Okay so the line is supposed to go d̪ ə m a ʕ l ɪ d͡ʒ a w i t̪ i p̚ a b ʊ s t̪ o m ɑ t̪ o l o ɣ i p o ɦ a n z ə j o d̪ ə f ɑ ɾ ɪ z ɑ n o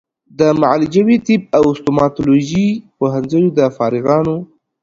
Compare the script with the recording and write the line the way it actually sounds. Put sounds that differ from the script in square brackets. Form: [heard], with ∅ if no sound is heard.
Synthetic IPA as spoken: d̪ ə m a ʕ l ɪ d͡ʒ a w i t̪ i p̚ a [w] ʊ s t̪ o m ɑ t̪ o l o [ʒ] i p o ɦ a n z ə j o d̪ ə f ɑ ɾ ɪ [ɣ] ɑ n o

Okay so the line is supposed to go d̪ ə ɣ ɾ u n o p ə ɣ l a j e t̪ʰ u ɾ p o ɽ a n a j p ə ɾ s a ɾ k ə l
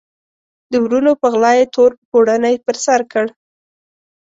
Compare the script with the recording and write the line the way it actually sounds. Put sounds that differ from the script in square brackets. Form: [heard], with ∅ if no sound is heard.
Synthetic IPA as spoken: d̪ ə [w] ɾ u n o p ə ɣ l [ɑ] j e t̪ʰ [o] ɾ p o ɽ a n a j p ə ɾ s a ɾ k ə [ɽ]

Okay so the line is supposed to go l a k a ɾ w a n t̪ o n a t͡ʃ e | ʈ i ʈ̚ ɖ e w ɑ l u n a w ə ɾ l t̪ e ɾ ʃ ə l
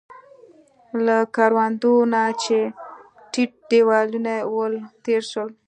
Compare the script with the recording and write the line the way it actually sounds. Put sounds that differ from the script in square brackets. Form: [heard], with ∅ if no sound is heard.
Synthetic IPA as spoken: l a k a ɾ w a n [d̪] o n a t͡ʃ e | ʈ i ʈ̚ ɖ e w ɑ l u n a w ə [∅] l t̪ e ɾ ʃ ə l

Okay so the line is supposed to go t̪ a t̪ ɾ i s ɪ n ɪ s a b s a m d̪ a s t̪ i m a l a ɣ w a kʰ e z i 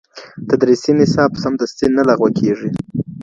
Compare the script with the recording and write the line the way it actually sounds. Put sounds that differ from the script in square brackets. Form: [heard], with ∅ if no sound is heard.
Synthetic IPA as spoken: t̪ a [d̪] ɾ i s [i] n ɪ s [ɑ] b s a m d̪ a s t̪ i [n] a l a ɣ w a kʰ e [ʐ] i

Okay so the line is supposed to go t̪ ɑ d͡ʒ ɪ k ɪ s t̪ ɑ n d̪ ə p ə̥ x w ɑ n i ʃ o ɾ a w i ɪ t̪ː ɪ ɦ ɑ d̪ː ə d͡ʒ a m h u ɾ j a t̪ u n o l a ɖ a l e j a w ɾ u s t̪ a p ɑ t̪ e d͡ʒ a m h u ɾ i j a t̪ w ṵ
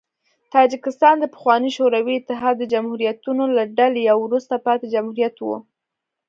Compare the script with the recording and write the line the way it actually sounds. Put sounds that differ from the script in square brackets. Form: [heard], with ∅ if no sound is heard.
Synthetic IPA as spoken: t̪ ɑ d͡ʒ ɪ k ɪ s t̪ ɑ n d̪ ə p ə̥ x w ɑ n i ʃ o ɾ a w i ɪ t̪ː ɪ ɦ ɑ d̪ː ə d͡ʒ a m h u ɾ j a t̪ u n o l a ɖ a l e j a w ɾ u s t̪ a p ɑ t̪ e d͡ʒ a m h u ɾ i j a t̪ w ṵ

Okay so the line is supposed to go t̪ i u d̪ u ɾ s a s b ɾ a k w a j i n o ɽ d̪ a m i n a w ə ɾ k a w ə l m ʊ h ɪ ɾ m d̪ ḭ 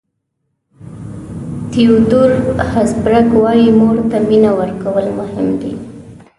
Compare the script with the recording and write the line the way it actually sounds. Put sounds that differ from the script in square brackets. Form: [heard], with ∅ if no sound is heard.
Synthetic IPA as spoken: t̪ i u d̪ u ɾ [h] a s b ɾ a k w [ɑ] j i [m] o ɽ [t̪] a m i n a w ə ɾ k a w ə l m ʊ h ɪ [∅] m d̪ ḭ

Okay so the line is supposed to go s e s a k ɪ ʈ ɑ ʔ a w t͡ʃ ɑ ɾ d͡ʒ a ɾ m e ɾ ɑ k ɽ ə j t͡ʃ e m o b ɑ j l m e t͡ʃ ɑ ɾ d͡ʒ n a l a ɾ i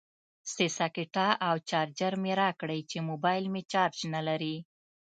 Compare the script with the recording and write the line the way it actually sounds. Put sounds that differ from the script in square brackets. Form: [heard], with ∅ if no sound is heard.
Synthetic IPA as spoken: s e s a k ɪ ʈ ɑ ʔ a w t͡ʃ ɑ ɾ d͡ʒ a ɾ m e ɾ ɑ k ɽ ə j t͡ʃ e m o b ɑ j l m e t͡ʃ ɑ ɾ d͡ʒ n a l a ɾ i

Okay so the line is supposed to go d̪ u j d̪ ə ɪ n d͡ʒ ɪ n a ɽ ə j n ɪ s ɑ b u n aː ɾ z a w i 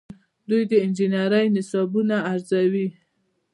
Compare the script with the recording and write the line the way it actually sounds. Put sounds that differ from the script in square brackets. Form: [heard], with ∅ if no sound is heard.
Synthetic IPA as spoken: d̪ u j d̪ ə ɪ n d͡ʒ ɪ n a [ɾ] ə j n ɪ s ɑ b u n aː ɾ z a w i

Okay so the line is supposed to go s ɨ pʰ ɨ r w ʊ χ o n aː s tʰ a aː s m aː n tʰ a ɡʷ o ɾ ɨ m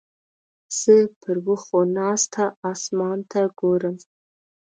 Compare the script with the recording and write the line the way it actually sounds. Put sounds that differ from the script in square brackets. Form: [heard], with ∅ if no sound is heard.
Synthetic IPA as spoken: s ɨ pʰ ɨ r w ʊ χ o n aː s tʰ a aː s m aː n tʰ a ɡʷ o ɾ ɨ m

